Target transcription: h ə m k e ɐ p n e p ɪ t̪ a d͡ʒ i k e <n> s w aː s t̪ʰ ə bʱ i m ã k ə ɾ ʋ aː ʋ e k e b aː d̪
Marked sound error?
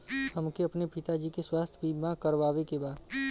yes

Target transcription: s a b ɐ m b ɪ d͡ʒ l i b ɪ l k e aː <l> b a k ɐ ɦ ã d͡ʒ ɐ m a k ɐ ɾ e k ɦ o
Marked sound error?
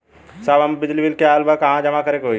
no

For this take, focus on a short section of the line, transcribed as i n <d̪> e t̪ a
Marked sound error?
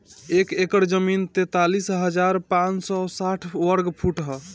yes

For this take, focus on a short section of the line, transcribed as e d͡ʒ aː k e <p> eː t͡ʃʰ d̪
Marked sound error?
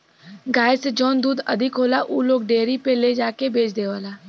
yes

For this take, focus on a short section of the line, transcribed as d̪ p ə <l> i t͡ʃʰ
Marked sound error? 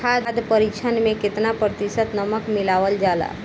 yes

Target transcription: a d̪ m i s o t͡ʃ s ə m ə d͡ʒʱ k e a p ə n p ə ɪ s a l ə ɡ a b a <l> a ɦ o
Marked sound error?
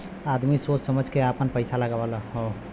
no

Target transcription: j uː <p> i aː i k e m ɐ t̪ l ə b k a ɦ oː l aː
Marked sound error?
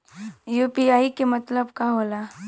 no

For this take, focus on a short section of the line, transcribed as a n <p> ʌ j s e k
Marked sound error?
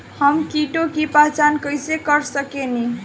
yes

